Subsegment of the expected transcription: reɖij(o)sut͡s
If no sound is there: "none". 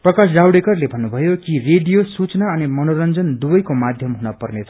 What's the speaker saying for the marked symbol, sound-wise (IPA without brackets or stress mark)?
o